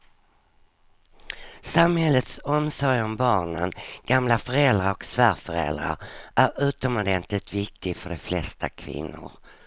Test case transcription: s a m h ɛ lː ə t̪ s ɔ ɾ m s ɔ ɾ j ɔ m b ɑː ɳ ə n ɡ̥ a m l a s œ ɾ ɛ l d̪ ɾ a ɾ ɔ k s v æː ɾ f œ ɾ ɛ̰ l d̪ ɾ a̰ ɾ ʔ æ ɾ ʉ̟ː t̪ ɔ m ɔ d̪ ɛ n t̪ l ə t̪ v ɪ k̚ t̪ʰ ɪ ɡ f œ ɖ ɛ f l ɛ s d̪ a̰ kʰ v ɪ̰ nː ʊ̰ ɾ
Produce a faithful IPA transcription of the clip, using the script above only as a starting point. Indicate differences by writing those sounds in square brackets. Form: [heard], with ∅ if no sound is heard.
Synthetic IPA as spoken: s a m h ɛ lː ə t̪ s ɔ [∅] m s ɔ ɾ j ɔ m b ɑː ɳ ə n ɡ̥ a m l a [f] œ ɾ ɛ l d̪ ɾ a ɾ ɔ k s v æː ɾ f œ ɾ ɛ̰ l d̪ ɾ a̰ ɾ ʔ æ ɾ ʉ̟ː t̪ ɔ m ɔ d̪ ɛ n t̪ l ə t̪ v ɪ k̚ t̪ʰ ɪ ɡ f œ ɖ ɛ f l ɛ s [t̪] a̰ kʰ v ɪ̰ nː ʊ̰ ɾ

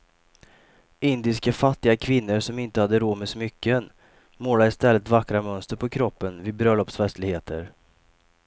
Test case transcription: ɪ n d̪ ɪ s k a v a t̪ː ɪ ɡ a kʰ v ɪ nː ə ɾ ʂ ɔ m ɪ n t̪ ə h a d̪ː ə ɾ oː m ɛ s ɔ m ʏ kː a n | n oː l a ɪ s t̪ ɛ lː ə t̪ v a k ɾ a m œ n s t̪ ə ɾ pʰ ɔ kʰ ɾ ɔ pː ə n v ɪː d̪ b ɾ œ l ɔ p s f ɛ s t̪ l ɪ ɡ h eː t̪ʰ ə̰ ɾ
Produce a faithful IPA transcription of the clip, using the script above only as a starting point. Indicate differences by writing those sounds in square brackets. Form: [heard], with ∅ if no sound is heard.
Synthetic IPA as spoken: ɪ n d̪ ɪ s k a [f] a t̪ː ɪ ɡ a kʰ v ɪ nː ə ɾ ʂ ɔ m ɪ n t̪ ə h a d̪ː ə ɾ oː m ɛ s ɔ m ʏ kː [ə] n | [m] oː l a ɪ s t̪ ɛ lː ə t̪ v a k ɾ a m œ n s t̪ ə ɾ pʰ ɔ kʰ ɾ ɔ pː ə n v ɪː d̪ b ɾ œ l ɔ p s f ɛ s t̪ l ɪ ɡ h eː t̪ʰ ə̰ ɾ

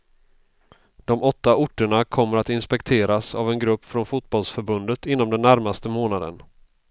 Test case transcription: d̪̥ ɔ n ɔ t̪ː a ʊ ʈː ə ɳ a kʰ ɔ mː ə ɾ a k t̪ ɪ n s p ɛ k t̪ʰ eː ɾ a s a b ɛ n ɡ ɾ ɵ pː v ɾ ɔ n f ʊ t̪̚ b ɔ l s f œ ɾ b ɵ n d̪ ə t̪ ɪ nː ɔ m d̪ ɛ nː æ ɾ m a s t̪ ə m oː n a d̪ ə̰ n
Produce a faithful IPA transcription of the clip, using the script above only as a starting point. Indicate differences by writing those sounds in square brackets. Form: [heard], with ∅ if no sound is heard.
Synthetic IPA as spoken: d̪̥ ɔ [m] ɔ t̪ː a ʊ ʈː ə ɳ a kʰ ɔ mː ə ɾ a [∅] t̪ ɪ n s p ɛ k t̪ʰ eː ɾ a s a [v] ɛ n ɡ ɾ ɵ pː [f] ɾ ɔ n f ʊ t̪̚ b ɔ l s f œ ɾ b ɵ n d̪ ə t̪ ɪ nː ɔ m d̪ ɛ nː æ ɾ m a s t̪ ə m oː n a d̪ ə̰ n

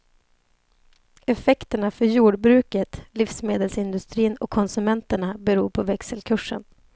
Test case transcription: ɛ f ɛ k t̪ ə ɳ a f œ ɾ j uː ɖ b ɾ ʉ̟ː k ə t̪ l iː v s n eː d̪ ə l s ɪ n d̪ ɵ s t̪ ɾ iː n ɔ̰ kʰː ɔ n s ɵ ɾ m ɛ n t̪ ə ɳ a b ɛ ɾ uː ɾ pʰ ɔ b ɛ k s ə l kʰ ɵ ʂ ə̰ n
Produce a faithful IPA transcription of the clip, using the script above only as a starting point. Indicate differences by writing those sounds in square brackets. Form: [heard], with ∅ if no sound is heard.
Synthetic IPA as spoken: ɛ f ɛ k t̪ ə ɳ a f œ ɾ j uː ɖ b ɾ ʉ̟ː k ə t̪ l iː [f] s [m] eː d̪ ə l s ɪ n d̪ ɵ s t̪ ɾ iː n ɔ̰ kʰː ɔ n s ɵ [∅] m ɛ n t̪ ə ɳ a b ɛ ɾ uː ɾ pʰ ɔ [v] ɛ k s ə l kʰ ɵ ʂ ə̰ n

